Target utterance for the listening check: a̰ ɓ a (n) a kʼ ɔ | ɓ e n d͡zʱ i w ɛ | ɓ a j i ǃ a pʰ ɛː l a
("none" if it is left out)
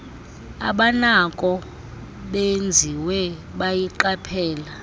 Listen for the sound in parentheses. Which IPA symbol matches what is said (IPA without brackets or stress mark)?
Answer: n